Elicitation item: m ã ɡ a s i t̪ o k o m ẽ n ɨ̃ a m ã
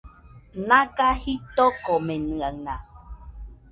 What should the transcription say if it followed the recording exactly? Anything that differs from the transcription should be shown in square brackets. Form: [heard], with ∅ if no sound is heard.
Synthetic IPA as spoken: [n] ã [k] a [h] i t̪ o k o m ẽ n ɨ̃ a [n] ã